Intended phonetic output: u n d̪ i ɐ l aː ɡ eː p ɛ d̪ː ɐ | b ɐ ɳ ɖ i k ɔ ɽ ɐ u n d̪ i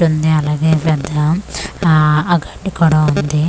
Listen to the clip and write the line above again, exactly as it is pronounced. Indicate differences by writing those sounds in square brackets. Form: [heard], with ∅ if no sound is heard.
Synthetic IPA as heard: u n d̪ i ɐ l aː ɡ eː p ɛ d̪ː ɐ | [ɡ] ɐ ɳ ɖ i k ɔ ɽ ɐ u n d̪ i